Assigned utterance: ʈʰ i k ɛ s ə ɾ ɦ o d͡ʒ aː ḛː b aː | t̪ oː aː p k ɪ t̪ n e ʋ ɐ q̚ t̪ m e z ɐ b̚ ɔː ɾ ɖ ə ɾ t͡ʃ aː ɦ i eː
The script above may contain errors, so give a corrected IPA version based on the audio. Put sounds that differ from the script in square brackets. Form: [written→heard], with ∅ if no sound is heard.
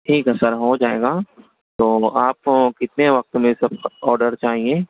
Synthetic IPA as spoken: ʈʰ [i→iː] k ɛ s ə ɾ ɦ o d͡ʒ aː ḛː [b→ɡ] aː | t̪ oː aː p k ɪ t̪ n e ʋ ɐ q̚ t̪ m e [z→s] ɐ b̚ ɔː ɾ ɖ ə ɾ t͡ʃ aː ɦ i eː